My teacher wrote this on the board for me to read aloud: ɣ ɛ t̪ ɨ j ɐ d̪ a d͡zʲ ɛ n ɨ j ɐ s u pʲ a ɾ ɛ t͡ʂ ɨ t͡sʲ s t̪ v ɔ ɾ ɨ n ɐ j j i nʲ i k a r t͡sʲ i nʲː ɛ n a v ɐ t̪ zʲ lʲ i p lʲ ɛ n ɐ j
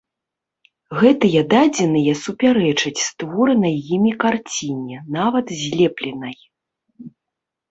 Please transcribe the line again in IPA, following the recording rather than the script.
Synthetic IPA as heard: ɣ ɛ t̪ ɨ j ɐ d̪ a d͡zʲ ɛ n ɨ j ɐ s u pʲ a ɾ ɛ t͡ʂ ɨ t͡sʲ s t̪ v ɔ ɾ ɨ n ɐ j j i mʲ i k a r t͡sʲ i nʲ ɛ n a v ɐ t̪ zʲ lʲ ɛ p lʲ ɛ n ɐ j